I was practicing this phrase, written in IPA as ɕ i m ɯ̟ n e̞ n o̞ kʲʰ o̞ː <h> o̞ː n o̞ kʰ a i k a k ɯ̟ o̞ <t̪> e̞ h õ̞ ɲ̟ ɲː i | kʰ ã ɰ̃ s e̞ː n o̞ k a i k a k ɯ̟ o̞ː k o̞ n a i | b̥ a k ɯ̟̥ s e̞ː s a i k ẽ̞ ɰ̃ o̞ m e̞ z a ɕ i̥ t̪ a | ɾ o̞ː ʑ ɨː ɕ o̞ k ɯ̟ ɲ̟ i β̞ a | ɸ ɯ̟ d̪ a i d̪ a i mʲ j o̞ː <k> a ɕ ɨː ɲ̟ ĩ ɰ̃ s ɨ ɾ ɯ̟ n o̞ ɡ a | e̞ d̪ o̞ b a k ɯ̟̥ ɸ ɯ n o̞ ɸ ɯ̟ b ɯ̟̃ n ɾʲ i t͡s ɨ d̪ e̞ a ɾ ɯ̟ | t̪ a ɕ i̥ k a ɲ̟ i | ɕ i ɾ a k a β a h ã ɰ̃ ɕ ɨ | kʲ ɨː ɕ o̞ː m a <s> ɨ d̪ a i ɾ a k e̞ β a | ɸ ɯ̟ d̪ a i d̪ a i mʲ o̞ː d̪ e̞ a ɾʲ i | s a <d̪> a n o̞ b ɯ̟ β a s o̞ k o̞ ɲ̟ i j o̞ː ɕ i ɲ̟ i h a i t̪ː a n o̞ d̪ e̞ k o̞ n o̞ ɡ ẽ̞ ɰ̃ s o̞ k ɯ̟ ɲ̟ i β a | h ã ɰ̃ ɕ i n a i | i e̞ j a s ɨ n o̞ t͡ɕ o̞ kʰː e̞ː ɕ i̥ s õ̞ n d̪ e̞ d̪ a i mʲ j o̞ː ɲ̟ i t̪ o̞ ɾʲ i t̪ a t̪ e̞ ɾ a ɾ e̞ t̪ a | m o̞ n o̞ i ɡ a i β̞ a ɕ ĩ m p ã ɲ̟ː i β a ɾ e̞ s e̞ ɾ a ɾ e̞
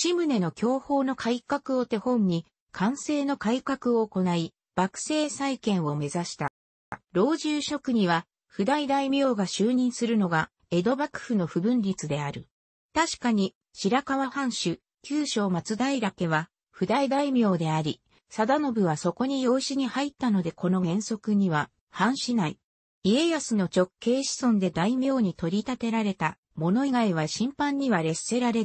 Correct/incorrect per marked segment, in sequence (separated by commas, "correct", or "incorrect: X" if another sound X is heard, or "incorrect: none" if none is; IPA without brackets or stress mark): correct, correct, incorrect: ɡ, incorrect: t͡s, correct